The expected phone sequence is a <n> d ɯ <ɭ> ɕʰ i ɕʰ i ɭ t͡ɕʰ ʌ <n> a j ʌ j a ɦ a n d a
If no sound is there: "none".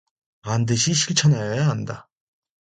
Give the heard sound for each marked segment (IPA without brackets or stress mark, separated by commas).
n, none, n